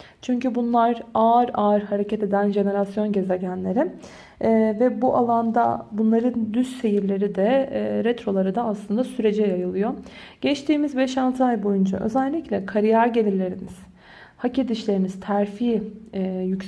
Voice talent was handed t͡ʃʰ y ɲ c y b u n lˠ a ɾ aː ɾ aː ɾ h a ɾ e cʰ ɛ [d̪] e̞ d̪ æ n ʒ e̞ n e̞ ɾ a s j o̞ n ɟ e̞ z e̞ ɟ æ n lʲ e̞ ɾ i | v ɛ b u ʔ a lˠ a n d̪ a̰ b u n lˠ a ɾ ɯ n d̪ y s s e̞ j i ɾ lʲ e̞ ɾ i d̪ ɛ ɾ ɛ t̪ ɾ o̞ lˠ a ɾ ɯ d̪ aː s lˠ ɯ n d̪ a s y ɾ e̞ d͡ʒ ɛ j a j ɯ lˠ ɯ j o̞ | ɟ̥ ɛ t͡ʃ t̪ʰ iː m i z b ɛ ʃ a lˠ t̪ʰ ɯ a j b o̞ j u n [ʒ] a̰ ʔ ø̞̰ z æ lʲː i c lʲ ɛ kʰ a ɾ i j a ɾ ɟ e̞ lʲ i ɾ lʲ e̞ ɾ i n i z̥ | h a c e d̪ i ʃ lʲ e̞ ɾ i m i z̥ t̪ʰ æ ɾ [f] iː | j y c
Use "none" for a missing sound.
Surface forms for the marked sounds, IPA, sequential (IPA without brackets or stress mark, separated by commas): t̪, d͡ʒ, f